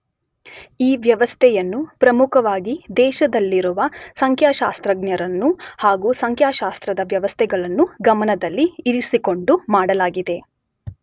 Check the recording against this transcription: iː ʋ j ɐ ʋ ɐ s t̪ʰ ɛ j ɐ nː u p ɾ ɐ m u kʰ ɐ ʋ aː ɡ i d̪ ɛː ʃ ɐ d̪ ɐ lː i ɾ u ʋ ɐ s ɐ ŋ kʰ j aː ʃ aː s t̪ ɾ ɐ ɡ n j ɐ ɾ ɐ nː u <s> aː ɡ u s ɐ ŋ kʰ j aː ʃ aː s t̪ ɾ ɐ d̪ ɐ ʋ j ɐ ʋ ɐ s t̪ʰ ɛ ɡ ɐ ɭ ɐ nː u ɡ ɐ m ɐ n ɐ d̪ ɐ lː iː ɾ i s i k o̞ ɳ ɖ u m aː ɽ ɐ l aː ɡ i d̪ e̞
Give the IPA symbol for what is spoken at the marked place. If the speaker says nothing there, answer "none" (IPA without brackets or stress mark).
h